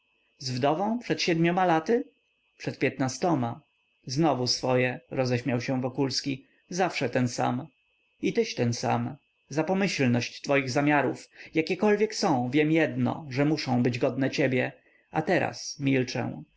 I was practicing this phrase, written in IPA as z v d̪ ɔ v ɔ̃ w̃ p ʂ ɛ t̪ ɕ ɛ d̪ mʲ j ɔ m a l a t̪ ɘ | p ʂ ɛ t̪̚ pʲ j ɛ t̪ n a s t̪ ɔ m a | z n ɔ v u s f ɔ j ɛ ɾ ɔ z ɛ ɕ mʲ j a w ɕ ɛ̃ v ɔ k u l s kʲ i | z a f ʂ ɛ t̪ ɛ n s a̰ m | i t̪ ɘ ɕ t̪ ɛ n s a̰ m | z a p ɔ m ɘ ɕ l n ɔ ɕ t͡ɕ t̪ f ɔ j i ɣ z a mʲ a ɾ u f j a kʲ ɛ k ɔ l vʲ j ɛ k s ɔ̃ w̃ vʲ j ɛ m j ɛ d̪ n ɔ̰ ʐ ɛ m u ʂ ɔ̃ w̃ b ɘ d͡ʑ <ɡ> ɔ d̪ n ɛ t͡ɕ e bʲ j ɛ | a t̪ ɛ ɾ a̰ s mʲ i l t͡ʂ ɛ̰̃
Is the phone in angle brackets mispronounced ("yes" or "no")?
no